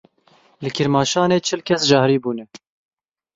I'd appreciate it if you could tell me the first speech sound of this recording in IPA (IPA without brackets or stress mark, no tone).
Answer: l